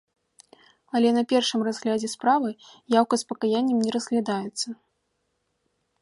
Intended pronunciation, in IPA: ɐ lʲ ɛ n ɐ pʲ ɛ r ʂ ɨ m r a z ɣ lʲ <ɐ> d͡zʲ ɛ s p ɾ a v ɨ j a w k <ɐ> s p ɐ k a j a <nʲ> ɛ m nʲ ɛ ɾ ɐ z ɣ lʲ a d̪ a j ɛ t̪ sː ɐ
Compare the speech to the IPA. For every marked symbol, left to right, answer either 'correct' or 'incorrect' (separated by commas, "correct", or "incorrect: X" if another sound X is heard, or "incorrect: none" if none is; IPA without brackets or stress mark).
incorrect: a, correct, incorrect: nʲː